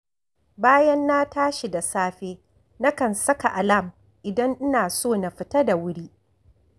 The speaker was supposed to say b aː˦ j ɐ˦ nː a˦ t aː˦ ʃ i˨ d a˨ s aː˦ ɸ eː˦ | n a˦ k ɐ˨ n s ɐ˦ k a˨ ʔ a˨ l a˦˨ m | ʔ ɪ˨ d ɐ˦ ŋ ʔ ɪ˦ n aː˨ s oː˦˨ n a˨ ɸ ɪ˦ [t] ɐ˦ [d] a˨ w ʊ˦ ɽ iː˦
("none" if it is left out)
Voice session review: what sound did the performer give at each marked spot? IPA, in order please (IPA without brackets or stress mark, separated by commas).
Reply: t, d